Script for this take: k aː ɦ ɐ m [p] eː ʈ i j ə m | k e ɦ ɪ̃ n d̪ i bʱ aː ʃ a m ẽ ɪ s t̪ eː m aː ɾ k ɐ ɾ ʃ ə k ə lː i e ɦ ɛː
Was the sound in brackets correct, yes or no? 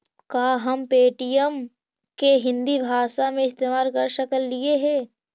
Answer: yes